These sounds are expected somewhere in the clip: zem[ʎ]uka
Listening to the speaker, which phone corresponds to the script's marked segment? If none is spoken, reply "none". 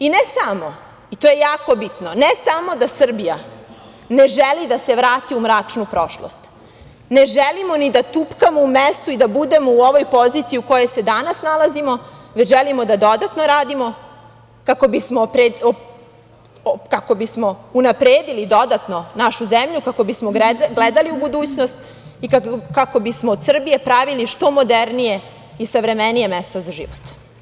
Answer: ʎ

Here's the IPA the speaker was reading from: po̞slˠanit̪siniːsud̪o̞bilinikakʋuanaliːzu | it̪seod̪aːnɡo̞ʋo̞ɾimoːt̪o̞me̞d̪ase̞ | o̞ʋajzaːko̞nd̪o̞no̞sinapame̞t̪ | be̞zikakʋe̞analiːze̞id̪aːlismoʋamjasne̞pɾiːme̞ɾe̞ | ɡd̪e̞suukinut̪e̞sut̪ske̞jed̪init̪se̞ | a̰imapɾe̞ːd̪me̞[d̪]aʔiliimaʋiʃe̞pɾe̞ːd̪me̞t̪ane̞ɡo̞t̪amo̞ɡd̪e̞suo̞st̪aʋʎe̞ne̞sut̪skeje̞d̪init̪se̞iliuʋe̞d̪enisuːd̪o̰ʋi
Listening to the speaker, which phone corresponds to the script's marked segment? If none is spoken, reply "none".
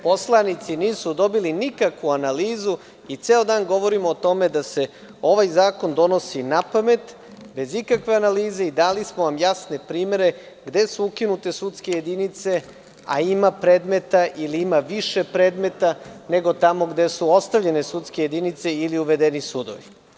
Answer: t̪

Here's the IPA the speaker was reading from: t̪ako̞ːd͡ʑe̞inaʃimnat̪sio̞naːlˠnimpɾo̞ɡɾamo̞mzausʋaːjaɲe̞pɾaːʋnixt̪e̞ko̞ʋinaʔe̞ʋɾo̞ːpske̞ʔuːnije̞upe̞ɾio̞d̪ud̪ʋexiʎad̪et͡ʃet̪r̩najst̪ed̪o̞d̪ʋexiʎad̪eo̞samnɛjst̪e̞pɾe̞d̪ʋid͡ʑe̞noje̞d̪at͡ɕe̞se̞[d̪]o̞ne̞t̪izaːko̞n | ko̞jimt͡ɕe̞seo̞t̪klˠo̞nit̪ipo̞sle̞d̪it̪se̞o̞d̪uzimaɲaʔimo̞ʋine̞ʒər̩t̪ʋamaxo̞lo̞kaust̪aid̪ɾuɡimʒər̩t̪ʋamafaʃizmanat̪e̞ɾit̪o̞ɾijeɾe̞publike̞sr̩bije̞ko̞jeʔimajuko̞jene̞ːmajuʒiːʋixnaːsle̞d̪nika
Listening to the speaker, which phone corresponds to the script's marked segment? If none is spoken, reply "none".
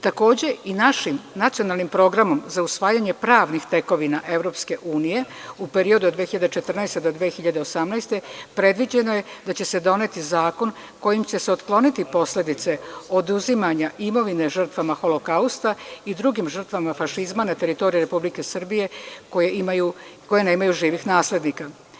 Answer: d̪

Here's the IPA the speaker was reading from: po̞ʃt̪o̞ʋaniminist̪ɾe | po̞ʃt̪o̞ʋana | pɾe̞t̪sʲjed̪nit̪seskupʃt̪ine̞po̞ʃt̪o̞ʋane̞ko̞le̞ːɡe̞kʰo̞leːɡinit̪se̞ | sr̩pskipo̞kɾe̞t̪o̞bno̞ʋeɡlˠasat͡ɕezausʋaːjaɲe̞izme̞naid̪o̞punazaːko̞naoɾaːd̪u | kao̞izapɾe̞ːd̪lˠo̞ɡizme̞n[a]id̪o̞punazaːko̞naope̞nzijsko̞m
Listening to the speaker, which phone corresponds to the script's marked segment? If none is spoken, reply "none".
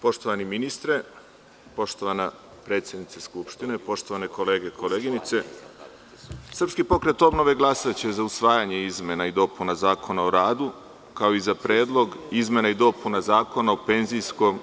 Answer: a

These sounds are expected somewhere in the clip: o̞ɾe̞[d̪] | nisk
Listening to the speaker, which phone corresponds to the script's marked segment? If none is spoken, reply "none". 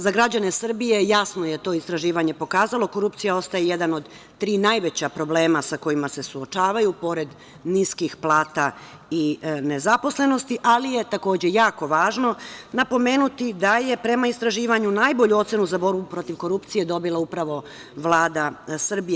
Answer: d̪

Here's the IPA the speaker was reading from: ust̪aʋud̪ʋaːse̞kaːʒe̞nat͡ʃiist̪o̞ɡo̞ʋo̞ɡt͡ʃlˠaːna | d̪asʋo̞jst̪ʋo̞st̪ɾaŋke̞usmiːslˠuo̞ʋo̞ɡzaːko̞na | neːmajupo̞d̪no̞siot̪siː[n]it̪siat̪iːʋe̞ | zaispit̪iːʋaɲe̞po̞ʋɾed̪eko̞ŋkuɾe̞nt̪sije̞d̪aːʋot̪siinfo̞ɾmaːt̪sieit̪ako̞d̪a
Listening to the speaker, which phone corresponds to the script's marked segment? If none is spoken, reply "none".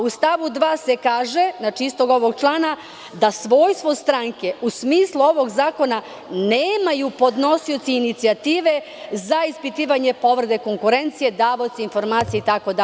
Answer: n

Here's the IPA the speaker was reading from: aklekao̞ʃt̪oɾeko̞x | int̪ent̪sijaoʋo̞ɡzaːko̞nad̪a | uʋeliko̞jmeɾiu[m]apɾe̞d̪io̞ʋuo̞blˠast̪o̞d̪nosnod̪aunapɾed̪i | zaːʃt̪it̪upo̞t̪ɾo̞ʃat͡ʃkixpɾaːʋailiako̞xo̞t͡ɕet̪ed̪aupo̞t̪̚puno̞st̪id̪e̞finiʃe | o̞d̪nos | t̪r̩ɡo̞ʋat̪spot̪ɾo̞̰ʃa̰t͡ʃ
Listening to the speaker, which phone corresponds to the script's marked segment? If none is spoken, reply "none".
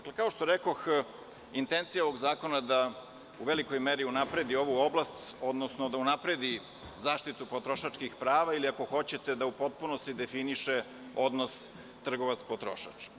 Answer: n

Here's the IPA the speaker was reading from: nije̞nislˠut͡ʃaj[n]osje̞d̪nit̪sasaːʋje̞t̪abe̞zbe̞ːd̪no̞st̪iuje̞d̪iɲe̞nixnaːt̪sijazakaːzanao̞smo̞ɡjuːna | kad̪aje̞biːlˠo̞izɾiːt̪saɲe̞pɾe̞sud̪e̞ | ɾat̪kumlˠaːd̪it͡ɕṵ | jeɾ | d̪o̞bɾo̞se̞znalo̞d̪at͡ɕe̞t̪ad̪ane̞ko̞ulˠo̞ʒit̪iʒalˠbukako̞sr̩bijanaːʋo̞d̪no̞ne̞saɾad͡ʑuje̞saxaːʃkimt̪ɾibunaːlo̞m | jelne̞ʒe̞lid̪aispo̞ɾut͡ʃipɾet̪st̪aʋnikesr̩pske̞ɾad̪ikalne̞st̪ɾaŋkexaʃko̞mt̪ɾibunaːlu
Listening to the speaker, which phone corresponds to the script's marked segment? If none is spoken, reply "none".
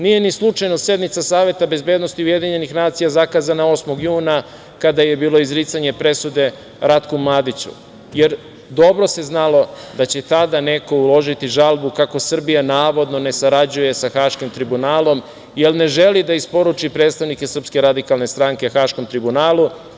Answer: n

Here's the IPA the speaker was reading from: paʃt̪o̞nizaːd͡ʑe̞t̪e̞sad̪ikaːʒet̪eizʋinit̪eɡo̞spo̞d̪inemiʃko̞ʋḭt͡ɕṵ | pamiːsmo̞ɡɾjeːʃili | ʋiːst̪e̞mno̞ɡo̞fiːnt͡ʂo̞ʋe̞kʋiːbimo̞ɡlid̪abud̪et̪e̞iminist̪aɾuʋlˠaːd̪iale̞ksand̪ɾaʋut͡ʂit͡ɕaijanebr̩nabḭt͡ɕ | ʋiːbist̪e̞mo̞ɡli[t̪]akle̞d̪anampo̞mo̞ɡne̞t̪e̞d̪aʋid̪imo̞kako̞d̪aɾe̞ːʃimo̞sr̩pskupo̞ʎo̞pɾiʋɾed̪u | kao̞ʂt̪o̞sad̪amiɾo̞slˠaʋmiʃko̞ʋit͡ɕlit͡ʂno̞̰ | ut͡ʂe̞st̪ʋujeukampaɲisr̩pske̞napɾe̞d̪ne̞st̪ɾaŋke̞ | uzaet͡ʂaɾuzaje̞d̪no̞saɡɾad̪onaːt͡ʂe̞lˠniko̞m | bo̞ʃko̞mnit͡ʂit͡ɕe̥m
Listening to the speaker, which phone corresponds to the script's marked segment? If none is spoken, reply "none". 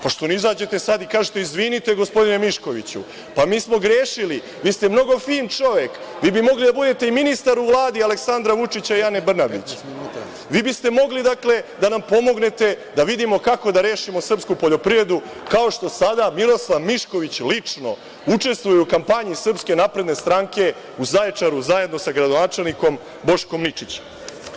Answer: d̪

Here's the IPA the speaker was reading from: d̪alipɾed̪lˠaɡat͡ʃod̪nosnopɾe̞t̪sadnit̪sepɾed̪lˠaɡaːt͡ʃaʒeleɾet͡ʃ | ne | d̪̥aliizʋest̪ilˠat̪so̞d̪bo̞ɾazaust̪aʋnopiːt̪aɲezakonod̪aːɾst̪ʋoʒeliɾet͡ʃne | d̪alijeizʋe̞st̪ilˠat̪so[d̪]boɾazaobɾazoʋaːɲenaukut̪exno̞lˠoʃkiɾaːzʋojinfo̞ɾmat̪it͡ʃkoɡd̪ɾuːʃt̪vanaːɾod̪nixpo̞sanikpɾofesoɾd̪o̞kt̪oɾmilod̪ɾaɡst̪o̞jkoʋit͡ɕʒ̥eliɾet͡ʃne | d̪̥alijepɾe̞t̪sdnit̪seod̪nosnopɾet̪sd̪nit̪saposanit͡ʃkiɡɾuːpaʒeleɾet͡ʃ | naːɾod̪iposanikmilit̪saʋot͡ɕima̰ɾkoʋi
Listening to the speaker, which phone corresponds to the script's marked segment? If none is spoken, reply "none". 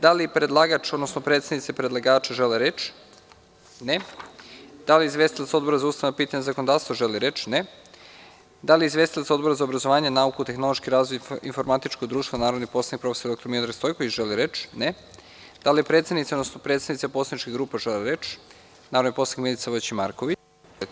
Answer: d̪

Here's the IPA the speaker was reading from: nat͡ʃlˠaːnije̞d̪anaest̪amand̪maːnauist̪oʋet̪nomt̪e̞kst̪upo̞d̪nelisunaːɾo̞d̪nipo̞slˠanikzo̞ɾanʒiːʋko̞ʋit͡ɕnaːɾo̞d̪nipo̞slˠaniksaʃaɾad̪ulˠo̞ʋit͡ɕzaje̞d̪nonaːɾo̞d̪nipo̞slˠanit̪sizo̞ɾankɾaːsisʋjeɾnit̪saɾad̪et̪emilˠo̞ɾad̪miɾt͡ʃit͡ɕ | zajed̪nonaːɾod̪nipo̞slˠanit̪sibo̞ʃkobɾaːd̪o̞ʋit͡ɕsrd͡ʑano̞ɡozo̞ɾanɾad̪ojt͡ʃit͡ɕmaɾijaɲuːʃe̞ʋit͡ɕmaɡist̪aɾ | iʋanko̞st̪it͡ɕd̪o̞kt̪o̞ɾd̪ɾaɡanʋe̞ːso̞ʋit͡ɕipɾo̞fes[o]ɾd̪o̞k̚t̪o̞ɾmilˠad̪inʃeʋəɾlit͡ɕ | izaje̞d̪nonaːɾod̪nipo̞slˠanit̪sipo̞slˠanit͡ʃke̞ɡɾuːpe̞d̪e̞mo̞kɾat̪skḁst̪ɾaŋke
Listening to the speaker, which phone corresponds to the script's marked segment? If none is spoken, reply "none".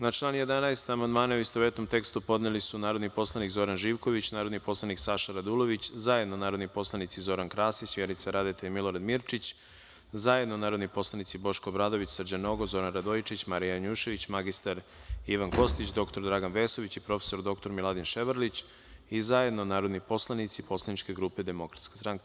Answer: o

